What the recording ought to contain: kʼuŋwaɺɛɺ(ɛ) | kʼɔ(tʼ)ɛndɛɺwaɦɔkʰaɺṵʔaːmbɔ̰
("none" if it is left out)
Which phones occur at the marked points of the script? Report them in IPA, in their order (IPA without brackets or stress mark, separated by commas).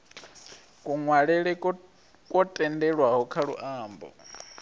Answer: ɛ, tʼ